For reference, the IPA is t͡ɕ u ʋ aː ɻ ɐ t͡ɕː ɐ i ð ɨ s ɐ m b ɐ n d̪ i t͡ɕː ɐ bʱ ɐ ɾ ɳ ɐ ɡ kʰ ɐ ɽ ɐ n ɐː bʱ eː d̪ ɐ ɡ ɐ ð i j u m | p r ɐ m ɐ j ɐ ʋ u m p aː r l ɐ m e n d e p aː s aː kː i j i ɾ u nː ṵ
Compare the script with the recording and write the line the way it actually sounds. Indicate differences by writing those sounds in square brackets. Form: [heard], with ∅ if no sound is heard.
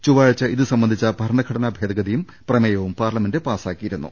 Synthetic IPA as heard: t͡ɕ u ʋ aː ɻ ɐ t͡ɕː ɐ i ð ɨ s ɐ m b ɐ n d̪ i t͡ɕː ɐ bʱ ɐ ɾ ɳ ɐ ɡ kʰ ɐ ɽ ɐ n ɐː bʱ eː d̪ ɐ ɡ ɐ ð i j u m | p r ɐ m ɐ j ɐ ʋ u m p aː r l ɐ m e n d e p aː s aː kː i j i ɾ u nː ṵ